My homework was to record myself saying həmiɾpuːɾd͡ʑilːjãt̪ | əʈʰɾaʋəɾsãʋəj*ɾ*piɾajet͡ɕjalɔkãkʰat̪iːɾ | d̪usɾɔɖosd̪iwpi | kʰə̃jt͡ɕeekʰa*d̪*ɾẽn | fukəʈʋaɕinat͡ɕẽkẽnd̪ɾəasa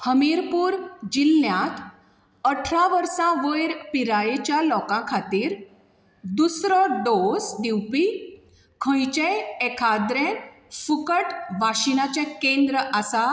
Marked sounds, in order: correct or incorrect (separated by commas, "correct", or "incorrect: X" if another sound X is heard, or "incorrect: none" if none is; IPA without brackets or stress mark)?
correct, correct